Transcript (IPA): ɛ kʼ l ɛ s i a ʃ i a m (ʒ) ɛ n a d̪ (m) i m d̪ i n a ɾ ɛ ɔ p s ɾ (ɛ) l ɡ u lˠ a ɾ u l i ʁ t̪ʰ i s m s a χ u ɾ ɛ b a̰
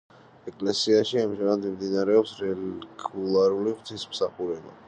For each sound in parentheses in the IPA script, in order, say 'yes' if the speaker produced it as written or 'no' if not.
yes, yes, yes

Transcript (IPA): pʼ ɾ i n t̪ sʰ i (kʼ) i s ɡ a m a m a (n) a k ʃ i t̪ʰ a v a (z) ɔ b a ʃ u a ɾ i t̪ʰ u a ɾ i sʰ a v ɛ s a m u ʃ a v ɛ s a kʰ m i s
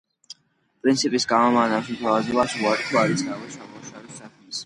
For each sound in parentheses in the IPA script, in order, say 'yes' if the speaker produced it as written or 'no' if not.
no, yes, yes

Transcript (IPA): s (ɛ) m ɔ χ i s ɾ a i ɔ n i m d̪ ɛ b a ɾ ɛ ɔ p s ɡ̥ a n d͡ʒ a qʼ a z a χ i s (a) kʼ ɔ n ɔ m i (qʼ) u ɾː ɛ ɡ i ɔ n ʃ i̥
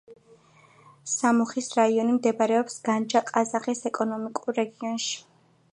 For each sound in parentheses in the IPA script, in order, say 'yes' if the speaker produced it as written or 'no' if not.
no, no, no

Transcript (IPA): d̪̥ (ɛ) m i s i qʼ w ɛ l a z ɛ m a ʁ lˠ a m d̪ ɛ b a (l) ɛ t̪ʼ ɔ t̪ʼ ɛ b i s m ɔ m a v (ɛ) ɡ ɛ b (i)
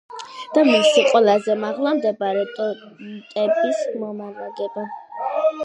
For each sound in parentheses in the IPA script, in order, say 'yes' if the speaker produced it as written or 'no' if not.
no, no, no, no

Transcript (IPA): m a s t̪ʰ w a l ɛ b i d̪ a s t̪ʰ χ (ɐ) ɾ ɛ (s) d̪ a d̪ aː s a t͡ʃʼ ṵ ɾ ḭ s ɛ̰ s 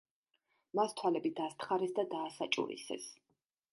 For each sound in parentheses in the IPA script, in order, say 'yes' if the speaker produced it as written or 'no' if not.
no, yes

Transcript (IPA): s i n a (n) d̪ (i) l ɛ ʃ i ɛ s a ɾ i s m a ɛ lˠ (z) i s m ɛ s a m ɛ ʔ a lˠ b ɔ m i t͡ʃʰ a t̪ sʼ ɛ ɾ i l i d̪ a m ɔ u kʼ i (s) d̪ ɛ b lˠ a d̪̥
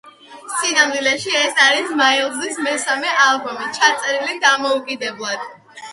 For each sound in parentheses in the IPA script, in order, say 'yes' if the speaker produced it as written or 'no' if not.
no, yes, yes, no

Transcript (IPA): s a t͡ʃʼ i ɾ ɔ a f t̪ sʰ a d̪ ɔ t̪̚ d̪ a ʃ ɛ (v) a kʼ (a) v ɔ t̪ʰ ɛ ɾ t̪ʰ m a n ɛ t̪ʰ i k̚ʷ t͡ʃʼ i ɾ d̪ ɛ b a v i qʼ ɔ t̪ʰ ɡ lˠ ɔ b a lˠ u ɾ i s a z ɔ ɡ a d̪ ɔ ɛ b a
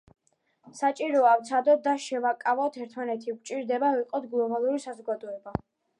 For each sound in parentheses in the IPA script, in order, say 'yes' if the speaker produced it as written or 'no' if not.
yes, yes

